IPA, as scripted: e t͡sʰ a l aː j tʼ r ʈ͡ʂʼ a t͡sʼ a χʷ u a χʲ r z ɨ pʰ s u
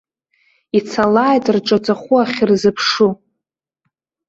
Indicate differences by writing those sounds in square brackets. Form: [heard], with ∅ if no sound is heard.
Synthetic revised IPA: [i] t͡sʰ a l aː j tʼ r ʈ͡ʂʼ a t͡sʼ a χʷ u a χʲ r z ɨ pʰ [ʂ] u